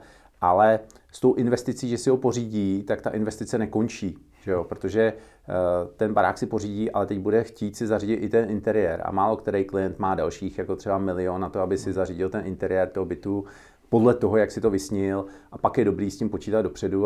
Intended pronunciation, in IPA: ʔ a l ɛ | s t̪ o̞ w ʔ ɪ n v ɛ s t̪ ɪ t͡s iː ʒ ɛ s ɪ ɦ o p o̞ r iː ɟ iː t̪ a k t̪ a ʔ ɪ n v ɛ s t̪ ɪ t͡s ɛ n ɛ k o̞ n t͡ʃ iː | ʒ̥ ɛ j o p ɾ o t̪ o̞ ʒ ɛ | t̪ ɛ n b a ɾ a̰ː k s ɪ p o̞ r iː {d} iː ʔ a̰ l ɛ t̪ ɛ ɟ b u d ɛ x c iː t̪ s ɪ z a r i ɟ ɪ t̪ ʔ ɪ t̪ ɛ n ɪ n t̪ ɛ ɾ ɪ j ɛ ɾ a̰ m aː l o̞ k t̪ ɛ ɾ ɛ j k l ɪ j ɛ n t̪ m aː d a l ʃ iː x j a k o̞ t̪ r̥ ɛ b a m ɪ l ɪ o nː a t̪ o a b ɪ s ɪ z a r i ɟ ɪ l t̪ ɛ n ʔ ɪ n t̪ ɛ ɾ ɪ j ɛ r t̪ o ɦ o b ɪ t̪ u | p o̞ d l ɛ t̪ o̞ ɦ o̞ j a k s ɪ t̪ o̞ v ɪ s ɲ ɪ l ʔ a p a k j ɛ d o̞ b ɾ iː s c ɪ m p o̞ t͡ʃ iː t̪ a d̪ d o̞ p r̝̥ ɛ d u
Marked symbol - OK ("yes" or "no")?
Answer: no